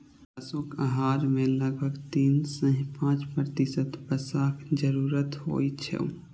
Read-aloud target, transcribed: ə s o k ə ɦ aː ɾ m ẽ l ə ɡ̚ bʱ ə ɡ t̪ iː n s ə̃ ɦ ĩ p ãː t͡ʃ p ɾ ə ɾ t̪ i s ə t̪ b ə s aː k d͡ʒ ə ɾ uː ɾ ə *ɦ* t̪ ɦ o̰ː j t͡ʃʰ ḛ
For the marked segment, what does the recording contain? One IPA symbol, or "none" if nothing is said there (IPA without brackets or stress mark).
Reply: none